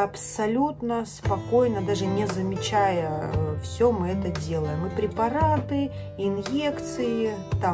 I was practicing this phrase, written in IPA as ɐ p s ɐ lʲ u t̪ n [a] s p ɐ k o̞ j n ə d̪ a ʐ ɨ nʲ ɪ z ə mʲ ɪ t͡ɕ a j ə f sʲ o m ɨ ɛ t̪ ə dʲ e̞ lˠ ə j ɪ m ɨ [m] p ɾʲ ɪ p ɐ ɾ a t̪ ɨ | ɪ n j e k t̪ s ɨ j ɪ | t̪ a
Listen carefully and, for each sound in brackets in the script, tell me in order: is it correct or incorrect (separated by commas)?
incorrect, incorrect